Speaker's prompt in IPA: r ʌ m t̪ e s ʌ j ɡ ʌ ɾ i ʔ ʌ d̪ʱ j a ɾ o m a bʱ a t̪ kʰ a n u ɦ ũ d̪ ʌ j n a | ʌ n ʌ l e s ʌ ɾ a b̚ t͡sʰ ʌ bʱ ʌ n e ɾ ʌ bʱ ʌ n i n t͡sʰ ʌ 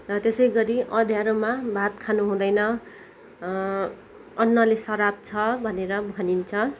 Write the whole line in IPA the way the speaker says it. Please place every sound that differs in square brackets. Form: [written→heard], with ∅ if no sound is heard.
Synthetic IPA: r ʌ [m→∅] t̪ e s ʌ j ɡ ʌ ɾ i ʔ ʌ d̪ʱ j a ɾ o m a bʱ a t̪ kʰ a n u ɦ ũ d̪ ʌ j n [a→ʌ] | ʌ [n→nː] ʌ l e s ʌ ɾ a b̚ t͡sʰ ʌ bʱ ʌ n e ɾ ʌ bʱ ʌ n i n t͡sʰ ʌ